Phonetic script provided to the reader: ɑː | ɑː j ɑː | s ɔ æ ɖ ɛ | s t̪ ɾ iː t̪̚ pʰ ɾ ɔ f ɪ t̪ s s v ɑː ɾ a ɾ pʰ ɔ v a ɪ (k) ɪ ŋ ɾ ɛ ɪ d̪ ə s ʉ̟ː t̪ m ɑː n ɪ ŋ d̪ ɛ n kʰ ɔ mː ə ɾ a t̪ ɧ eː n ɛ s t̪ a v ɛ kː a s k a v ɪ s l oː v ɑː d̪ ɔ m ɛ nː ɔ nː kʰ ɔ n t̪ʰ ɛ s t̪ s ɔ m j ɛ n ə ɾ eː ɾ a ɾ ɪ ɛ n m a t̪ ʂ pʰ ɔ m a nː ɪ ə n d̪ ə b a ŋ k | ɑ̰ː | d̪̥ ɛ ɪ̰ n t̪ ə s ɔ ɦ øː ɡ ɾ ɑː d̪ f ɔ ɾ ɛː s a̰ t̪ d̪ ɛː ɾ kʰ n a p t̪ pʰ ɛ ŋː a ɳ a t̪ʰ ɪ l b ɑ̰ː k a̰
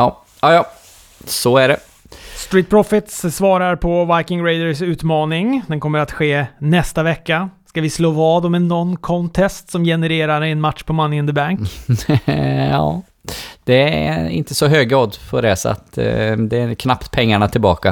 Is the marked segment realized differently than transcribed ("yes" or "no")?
no